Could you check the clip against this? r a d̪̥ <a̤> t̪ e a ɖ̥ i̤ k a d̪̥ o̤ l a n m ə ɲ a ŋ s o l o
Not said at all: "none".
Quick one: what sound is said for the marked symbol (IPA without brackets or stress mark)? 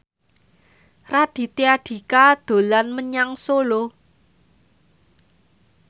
i̤